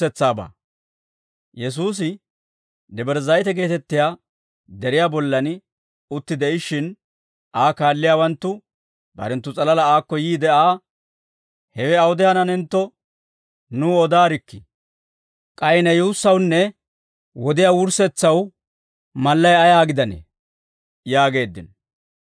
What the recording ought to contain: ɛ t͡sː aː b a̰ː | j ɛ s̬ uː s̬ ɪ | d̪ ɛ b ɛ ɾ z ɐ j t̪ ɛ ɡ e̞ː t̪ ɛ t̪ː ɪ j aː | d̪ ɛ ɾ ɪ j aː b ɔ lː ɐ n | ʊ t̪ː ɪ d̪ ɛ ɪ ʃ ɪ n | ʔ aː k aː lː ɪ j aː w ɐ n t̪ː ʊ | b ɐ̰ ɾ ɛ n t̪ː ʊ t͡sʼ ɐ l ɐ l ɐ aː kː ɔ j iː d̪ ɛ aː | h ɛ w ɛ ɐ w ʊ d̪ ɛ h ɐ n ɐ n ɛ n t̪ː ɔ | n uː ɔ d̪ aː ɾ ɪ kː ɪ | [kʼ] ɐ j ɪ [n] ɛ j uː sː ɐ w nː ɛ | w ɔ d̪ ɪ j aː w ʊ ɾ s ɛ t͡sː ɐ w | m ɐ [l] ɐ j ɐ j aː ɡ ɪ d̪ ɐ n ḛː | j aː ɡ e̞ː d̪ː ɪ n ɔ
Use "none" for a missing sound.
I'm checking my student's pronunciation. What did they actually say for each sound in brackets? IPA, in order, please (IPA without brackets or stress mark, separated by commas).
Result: kʼ, n, lː